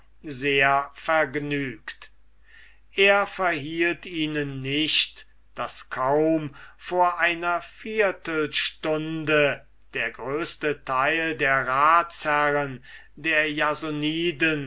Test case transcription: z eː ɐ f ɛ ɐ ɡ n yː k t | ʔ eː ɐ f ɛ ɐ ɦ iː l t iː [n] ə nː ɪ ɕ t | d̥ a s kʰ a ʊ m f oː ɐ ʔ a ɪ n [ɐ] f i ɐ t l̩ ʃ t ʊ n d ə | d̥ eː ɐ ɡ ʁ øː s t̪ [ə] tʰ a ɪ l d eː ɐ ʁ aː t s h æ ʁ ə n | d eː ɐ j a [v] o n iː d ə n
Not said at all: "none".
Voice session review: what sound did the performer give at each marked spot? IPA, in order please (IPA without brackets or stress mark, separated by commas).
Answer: n, ɐ, ə, z